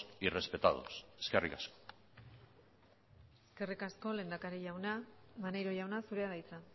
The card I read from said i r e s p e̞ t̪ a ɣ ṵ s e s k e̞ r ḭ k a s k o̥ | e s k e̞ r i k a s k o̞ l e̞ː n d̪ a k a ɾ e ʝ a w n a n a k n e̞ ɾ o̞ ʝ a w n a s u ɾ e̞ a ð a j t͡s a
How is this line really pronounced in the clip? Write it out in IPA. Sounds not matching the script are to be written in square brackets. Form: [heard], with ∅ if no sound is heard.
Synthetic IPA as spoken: i r e s p e̞ t̪ a [ð] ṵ s e s k e̞ r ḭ k a s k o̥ | e s k e̞ r i k a s k o̞ l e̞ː n d̪ a k a ɾ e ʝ a w n a [m] a [∅] n e̞ ɾ o̞ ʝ a w n a s u ɾ e̞ a ð a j t͡s a

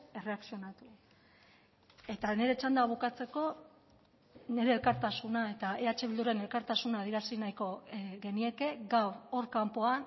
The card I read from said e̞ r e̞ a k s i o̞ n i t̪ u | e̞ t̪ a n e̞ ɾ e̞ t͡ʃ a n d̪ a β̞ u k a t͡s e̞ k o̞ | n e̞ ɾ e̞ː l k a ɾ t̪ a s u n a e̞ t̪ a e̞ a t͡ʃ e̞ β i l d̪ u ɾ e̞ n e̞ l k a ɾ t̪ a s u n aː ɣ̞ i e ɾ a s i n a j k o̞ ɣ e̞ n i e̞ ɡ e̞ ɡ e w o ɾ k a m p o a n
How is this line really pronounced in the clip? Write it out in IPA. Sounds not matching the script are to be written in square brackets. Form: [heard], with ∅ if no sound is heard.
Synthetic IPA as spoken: e̞ r e̞ a k s i o̞ n [a] t̪ u | e̞ t̪ a n e̞ ɾ e̞ t͡ʃ a n d̪ a β̞ u k a t͡s e̞ k o̞ | n e̞ ɾ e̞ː l k a ɾ t̪ a s u n a e̞ t̪ a e̞ a t͡ʃ e̞ β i l d̪ u ɾ e̞ n e̞ l k a ɾ t̪ a s u n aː [ð̞] i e ɾ a s i n a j k o̞ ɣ e̞ n i e̞ [k] e̞ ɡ [a] w o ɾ k a m p o a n

